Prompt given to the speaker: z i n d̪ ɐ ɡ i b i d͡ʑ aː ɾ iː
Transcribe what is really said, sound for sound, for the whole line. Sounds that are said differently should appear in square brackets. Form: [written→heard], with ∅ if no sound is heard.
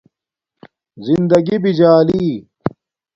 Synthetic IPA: z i n d̪ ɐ ɡ i b i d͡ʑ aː [ɾ→l] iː